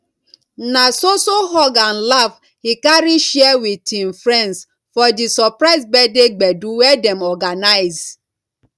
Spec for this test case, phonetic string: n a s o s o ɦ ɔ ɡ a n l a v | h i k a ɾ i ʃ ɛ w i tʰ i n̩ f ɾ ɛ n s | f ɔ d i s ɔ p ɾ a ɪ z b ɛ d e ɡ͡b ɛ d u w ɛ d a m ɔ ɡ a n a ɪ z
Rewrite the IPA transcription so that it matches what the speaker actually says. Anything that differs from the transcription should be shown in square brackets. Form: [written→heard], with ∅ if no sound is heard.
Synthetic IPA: n a s o s o ɦ ɔ ɡ a n l a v | h i k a ɾ i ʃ ɛ w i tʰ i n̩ f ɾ ɛ n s | f ɔ d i s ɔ p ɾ a ɪ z b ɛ d e ɡ͡b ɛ d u w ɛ d [a→ɛ] m ɔ ɡ a n a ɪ z